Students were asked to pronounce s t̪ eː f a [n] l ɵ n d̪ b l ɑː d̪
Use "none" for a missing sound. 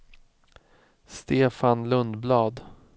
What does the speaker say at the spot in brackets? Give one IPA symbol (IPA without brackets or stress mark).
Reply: n